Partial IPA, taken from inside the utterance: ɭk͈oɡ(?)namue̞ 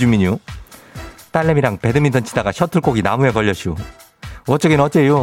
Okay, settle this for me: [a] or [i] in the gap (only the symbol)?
i